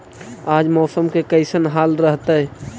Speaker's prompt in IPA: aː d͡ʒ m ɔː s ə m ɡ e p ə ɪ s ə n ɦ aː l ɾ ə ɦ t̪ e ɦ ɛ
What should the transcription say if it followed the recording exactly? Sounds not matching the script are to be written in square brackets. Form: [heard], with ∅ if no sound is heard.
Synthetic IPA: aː d͡ʒ m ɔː s ə m [k] e [k] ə ɪ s ə n ɦ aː l ɾ ə ɦ t̪ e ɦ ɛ